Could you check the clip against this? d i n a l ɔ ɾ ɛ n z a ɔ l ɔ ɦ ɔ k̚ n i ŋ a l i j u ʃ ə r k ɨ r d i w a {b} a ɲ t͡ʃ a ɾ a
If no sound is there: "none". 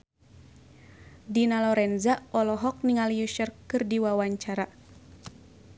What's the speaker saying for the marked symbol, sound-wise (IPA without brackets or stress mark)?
w